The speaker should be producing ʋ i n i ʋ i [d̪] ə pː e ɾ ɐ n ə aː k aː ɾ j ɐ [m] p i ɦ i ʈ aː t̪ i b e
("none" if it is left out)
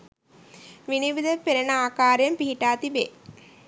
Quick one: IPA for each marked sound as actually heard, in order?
d̪, m

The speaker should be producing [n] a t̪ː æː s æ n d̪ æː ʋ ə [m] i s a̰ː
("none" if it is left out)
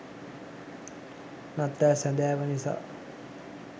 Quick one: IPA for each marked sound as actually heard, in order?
n, n

